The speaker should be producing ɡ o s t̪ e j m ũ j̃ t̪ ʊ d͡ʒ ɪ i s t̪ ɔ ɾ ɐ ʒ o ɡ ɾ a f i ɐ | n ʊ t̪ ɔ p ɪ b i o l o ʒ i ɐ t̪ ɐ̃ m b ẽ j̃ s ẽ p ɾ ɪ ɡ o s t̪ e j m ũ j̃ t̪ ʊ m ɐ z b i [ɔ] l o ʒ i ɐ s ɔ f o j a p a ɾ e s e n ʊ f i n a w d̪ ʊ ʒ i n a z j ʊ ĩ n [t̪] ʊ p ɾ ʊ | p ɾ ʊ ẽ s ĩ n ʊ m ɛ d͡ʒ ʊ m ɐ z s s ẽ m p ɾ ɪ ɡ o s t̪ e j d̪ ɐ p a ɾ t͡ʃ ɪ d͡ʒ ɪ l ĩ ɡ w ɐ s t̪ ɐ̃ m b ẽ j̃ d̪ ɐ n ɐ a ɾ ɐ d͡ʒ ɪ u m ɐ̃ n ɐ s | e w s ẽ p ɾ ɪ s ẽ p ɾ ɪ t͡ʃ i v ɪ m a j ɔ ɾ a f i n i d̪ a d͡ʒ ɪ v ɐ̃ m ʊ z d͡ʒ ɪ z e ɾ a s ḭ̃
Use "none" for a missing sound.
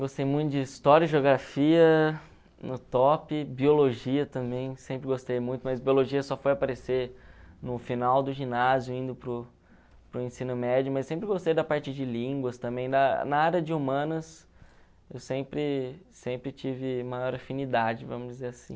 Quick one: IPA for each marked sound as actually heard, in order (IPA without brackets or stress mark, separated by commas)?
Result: o, d̪